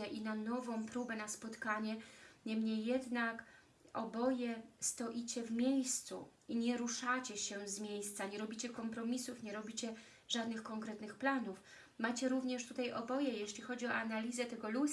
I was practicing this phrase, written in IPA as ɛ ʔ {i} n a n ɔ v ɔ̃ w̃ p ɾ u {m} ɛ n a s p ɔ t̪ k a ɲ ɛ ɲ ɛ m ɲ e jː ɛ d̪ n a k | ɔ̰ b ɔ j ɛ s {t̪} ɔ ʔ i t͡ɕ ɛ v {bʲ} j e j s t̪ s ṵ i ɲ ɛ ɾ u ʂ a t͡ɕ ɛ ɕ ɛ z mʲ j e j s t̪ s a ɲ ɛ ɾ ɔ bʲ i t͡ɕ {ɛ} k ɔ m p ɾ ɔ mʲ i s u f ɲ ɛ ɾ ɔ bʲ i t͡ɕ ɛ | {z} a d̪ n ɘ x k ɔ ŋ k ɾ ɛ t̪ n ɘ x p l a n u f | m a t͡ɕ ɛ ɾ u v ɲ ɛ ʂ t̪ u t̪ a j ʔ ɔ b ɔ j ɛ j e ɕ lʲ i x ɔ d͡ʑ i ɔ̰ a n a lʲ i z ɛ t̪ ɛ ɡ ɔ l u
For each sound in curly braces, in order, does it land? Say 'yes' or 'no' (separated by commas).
yes, no, yes, no, yes, no